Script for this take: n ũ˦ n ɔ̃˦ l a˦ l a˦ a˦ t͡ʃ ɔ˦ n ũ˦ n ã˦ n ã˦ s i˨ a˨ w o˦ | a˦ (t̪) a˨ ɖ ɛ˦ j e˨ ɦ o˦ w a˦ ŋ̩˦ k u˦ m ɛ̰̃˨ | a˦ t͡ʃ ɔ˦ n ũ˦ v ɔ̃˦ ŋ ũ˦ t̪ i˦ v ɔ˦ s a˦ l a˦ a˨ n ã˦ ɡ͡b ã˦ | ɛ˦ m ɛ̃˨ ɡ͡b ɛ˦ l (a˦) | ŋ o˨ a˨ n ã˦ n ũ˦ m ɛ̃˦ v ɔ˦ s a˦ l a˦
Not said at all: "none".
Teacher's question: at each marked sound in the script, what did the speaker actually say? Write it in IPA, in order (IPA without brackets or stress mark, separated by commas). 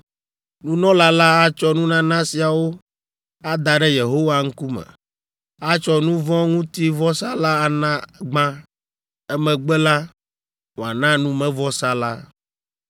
d̪, a˦